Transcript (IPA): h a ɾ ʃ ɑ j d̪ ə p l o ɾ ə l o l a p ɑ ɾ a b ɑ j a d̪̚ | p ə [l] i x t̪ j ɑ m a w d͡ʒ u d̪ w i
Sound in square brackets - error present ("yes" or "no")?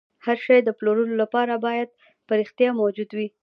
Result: yes